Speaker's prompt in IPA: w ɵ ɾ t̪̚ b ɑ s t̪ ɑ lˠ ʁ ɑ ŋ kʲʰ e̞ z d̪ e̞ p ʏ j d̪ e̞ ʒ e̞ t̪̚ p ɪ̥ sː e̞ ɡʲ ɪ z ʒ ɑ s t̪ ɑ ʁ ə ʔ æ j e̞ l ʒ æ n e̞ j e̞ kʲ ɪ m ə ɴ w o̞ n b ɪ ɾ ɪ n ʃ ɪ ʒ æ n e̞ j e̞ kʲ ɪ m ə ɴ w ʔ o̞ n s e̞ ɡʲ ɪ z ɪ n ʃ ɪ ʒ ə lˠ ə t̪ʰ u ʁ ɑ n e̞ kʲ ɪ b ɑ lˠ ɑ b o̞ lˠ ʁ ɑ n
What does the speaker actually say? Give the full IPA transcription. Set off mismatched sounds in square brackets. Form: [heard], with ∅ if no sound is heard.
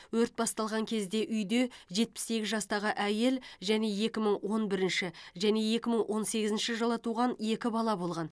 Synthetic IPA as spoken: w ɵ ɾ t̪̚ b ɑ s t̪ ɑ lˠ ʁ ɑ ŋ kʲʰ e̞ z d̪ e̞ [ʔ] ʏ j d̪ e̞ ʒ e̞ t̪̚ p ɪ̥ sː e̞ ɡʲ ɪ z ʒ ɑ s t̪ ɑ ʁ ə ʔ æ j e̞ l ʒ æ n e̞ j e̞ kʲ ɪ m ə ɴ w o̞ n b ɪ ɾ ɪ n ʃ ɪ ʒ æ n e̞ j e̞ kʲ ɪ m ə ɴ w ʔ o̞ n s e̞ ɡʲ ɪ z ɪ n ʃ ɪ ʒ ə lˠ ə t̪ʰ u ʁ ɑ n e̞ kʲ ɪ b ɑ lˠ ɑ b o̞ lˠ ʁ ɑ n

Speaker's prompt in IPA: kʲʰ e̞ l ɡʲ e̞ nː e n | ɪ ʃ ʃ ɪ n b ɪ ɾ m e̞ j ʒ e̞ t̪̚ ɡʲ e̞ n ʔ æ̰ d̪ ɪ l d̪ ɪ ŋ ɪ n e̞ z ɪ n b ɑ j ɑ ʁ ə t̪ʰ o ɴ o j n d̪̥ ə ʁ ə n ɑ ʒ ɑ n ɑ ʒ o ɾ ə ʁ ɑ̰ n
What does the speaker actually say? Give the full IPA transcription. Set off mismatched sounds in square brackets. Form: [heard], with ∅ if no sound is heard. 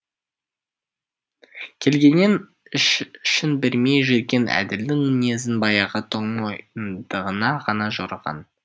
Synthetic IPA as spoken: kʲʰ e̞ l ɡʲ e̞ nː e n | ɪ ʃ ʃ ɪ n b ɪ ɾ m e̞ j ʒ e̞ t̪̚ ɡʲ e̞ n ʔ æ̰ d̪ ɪ l d̪ ɪ ŋ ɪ n e̞ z ɪ n b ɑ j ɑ ʁ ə t̪ʰ o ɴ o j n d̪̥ ə ʁ ə n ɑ [ʁ] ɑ n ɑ ʒ o ɾ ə ʁ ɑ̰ n

